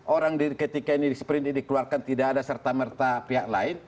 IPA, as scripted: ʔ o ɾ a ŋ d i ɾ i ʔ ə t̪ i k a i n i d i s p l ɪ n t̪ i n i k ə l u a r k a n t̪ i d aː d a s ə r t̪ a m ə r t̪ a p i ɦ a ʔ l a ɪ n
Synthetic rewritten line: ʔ o ɾ a ŋ d i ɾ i k ə t̪ i k a i n i d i s p ɾ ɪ n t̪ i d i k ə l u a r k a n t̪ i d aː d a s ə r t̪ a m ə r t̪ a p i ɦ a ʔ l a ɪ n

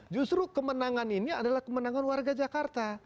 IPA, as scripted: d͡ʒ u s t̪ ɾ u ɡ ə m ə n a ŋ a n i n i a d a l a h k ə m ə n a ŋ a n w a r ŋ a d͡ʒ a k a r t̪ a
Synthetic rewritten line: d͡ʒ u s t̪ ɾ u k ə m ə n a ŋ a n i n i a d a l a h k ə m ə n a ŋ a n w a r ɡ a d͡ʒ a k a r t̪ a

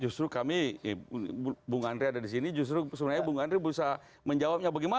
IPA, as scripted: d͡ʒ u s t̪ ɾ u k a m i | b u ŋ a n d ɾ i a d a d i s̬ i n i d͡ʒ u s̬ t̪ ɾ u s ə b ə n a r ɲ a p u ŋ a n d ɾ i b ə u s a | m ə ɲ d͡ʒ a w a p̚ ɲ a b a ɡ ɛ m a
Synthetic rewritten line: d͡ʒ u s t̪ ɾ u k a m i | b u ŋ a n d ɾ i a d a d i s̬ i n i d͡ʒ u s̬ t̪ ɾ u s ə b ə n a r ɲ a b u ŋ a n d ɾ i b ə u s a | m ə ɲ d͡ʒ a w a p̚ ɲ a b a ɡ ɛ m a

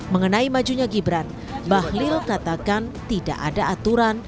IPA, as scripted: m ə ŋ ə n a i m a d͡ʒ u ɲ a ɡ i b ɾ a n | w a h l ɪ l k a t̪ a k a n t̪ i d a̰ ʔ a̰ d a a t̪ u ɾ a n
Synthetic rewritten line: m ə ŋ ə n a i m a d͡ʒ u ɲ a ɡ i b ɾ a n | b a h l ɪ l k a t̪ a k a n t̪ i d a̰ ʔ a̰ d a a t̪ u ɾ a n

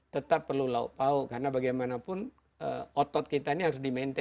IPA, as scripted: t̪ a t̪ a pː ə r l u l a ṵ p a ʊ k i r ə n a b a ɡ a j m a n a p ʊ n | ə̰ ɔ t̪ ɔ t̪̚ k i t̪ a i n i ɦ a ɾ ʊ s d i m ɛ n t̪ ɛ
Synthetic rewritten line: t̪ ə t̪ a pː ə r l u l a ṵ p a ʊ k a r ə n a b a ɡ a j m a n a p ʊ n | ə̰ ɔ t̪ ɔ t̪̚ k i t̪ a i n i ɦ a ɾ ʊ s d i m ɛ n t̪ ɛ

